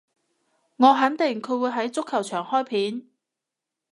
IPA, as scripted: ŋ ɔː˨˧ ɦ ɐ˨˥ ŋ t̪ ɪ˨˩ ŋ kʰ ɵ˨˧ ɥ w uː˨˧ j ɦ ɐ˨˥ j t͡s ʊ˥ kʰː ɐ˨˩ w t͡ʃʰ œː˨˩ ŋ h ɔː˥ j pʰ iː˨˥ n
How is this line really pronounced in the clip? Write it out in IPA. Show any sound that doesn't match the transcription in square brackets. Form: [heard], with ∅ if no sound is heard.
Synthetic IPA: ŋ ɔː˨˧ ɦ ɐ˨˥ [n] t̪ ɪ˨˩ ŋ kʰ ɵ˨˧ ɥ w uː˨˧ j ɦ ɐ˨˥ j t͡s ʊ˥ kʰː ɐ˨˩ w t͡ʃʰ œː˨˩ ŋ h ɔː˥ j pʰ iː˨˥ n